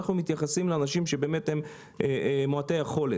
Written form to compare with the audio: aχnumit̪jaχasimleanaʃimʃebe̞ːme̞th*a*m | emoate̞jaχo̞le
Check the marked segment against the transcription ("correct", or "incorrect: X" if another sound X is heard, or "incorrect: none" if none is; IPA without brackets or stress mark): incorrect: e